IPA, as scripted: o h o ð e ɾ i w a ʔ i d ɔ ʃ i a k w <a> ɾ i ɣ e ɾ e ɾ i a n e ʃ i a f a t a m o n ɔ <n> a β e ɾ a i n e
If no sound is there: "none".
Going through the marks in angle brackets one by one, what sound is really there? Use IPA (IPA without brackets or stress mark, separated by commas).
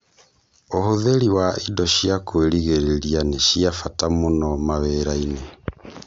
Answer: e, m